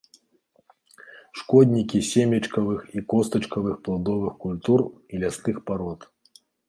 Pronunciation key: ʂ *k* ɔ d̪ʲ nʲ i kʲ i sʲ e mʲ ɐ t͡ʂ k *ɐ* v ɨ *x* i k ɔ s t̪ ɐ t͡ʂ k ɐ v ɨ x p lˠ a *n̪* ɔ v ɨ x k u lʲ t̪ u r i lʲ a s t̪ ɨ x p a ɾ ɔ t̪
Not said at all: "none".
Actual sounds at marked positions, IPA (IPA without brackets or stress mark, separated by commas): k, ɐ, x, d̪